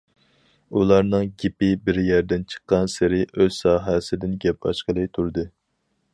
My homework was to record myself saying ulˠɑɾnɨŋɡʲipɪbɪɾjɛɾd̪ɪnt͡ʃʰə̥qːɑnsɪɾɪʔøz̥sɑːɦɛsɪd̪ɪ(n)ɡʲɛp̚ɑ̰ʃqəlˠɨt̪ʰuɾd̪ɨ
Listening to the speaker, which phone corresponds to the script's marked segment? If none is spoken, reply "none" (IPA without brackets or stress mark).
n